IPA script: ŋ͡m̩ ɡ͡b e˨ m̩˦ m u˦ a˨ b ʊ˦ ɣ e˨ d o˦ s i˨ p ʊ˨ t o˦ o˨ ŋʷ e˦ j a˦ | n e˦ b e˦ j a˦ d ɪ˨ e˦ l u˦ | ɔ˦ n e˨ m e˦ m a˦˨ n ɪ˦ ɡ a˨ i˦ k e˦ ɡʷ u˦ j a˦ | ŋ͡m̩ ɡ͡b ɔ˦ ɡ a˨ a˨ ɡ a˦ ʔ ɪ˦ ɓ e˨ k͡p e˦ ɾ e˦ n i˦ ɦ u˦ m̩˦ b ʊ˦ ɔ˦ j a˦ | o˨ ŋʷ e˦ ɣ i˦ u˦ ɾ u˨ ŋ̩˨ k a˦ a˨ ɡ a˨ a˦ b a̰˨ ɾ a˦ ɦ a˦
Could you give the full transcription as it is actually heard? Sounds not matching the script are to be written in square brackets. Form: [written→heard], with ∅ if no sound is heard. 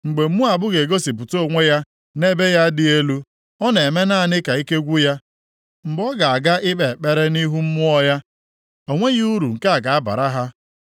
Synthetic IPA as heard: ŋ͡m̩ ɡ͡b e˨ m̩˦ m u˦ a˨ b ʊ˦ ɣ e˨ [d→ɡ] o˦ s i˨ p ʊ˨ t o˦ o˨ ŋʷ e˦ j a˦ | n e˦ b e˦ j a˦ d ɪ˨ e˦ l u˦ | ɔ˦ n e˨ m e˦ [m→n] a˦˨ n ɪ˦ [ɡ→k] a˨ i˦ k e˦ ɡʷ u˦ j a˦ | ŋ͡m̩ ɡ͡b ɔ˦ ɡ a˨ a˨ ɡ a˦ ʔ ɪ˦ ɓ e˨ k͡p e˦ ɾ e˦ n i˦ ɦ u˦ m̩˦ [b→m] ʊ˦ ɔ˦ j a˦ | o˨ ŋʷ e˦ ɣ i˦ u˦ ɾ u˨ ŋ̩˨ k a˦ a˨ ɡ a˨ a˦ b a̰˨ ɾ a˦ ɦ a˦

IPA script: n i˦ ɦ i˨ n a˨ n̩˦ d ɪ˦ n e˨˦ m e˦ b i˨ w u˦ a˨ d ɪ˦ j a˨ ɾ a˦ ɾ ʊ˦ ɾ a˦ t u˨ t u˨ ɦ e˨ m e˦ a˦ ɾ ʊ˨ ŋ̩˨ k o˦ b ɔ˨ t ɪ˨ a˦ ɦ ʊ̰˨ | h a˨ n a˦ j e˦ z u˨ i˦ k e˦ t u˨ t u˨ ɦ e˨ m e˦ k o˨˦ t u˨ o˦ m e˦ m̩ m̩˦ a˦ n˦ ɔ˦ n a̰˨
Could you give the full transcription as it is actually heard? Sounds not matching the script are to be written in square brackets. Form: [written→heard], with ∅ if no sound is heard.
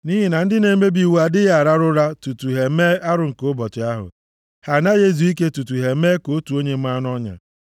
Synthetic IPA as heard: n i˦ ɦ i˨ n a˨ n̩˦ d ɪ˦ n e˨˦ m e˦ b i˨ w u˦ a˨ d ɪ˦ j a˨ ɾ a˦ ɾ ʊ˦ ɾ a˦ t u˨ t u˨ ɦ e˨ m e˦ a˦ ɾ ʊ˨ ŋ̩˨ k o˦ b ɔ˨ t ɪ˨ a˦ ɦ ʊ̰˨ | h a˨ n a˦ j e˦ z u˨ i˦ k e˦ t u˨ t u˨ ɦ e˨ m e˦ k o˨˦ t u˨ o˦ [m→ɲ] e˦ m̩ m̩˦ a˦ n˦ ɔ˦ [n→ɲ] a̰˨

